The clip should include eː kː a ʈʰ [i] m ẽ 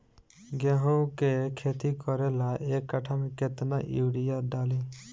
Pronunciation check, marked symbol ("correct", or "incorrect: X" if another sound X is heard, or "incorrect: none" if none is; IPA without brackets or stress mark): incorrect: a